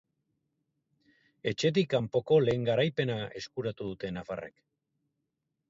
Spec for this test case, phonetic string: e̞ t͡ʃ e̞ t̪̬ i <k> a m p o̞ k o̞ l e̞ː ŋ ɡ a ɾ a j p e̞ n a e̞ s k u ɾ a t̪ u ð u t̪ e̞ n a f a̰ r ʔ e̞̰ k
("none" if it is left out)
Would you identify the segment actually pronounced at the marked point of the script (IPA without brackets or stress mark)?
k